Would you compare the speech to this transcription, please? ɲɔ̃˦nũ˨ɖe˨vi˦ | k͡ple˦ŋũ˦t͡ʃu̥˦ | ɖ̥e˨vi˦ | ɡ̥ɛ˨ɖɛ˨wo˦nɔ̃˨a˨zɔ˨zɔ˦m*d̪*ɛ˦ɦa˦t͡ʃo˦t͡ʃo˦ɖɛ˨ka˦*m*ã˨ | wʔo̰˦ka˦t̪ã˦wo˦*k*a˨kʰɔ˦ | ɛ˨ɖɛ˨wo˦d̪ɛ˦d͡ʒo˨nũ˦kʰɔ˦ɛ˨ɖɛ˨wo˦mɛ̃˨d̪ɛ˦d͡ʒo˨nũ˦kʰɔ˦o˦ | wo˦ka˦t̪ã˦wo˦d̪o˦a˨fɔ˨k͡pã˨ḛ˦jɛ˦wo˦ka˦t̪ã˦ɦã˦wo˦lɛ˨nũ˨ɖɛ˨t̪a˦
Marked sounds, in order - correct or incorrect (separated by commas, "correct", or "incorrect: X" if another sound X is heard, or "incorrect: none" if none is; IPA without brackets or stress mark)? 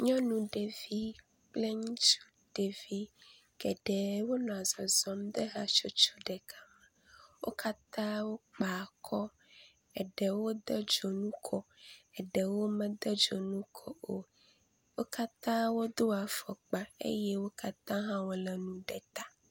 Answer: correct, correct, incorrect: k͡p